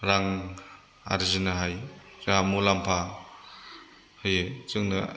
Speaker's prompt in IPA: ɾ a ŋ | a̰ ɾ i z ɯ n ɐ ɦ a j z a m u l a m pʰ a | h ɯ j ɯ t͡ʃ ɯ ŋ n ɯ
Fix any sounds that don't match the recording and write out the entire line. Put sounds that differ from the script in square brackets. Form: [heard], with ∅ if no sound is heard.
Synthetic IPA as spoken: ɾ a ŋ | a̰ ɾ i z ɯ n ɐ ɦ a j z a m u l a m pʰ a | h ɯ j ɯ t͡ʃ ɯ ŋ n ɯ